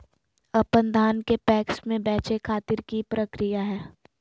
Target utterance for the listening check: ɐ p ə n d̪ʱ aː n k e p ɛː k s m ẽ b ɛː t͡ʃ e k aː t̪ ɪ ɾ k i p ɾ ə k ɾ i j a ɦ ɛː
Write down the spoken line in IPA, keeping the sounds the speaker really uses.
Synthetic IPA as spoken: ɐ p ə n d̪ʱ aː n k e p ɛː k s m ẽ b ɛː t͡ʃ e kʰ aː t̪ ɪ ɾ k i p ɾ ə k ɾ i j a ɦ ɛː